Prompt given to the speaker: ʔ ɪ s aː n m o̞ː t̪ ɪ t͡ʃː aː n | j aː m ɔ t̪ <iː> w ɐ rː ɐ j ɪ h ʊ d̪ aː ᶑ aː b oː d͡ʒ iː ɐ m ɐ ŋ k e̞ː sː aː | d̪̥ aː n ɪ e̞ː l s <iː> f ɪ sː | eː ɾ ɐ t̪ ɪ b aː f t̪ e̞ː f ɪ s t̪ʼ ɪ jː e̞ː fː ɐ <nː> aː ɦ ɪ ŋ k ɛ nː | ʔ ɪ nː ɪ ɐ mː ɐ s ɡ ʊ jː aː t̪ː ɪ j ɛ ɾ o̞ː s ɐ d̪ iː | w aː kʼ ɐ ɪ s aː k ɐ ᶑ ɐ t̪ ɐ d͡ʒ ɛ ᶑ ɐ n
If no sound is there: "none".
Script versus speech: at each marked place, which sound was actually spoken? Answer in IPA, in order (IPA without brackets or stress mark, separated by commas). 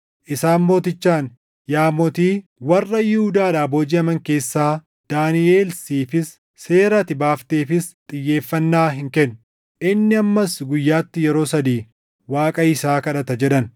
iː, iː, nː